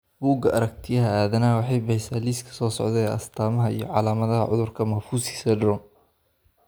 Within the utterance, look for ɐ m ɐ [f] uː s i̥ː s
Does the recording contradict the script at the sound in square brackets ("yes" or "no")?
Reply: no